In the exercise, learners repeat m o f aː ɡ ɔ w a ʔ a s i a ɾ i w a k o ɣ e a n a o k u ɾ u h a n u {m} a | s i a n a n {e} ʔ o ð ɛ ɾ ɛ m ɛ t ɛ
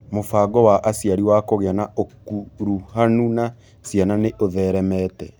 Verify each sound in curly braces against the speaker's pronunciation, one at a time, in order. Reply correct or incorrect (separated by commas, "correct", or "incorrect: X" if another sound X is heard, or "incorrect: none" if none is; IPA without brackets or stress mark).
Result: incorrect: n, correct